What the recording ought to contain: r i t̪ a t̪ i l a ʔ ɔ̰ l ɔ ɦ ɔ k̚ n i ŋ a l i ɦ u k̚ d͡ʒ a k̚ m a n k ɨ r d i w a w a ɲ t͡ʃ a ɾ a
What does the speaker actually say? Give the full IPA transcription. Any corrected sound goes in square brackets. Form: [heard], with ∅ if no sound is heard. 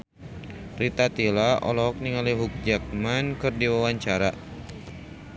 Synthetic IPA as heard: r i t̪ a t̪ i l a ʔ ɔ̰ l ɔ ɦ ɔ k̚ n i ŋ a l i ɦ u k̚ d͡ʒ a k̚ m a n k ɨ r d i w a w a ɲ t͡ʃ a ɾ a

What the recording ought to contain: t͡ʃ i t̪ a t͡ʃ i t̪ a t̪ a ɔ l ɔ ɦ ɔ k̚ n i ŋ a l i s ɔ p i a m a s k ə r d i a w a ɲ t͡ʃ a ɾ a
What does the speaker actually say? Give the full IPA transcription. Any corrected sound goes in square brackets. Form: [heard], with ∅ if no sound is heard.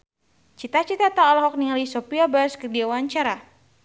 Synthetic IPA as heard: t͡ʃ i t̪ a t͡ʃ i t̪ a t̪ a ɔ l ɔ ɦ ɔ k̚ n i ŋ a l i s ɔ p i a [b] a s k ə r d i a w a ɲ t͡ʃ a ɾ a

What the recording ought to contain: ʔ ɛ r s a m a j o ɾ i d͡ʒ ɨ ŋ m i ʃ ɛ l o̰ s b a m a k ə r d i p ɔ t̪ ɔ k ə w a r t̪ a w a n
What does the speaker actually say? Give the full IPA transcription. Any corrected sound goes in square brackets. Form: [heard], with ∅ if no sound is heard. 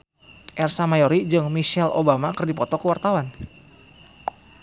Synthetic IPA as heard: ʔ ɛ r s a m a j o ɾ i d͡ʒ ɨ ŋ m i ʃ ɛ l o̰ [∅] b a m a k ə r d i p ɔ t̪ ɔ k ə w a r t̪ a w a n

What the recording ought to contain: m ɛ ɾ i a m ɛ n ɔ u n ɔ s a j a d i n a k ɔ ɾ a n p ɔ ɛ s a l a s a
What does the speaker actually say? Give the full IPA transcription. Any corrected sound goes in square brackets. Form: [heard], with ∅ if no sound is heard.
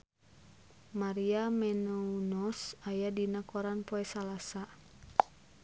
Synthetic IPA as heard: m [a] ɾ i a m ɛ n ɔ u n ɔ s a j a d i n a k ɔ ɾ a n p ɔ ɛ s a l a s a

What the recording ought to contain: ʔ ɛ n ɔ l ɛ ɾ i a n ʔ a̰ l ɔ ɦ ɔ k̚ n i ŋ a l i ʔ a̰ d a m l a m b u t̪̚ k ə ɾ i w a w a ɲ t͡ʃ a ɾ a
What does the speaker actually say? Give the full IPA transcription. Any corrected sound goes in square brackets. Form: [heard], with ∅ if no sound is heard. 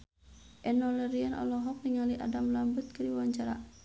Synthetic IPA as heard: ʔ ɛ n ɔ l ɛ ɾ i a n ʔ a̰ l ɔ ɦ ɔ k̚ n i ŋ a l i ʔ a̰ d a m l a m b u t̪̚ k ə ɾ i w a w a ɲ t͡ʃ a ɾ a

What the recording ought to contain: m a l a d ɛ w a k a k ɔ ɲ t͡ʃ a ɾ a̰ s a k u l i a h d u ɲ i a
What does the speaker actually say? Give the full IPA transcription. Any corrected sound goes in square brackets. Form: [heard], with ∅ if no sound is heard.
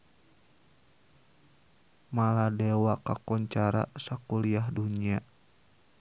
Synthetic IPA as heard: m a l a d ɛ w a k a k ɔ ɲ t͡ʃ a ɾ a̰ s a k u l i a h d u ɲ i a

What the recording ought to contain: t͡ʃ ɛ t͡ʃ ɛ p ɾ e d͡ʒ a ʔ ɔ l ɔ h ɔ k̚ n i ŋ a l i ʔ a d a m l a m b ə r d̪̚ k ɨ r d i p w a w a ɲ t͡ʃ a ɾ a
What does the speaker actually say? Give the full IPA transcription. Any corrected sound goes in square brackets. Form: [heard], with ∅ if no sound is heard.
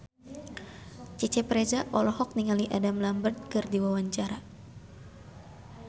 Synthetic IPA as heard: t͡ʃ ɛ t͡ʃ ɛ p ɾ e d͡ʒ a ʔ ɔ l ɔ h ɔ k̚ n i ŋ a l i ʔ a d a m l a m b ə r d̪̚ k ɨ r d i [∅] w a w a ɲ t͡ʃ a ɾ a

